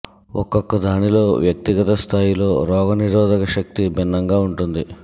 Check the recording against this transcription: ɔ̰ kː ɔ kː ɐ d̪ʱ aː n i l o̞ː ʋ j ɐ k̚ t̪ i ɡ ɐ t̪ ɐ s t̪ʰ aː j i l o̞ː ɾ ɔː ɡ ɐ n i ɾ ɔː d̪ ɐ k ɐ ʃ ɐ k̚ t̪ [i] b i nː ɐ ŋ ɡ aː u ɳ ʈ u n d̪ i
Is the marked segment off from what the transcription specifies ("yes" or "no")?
no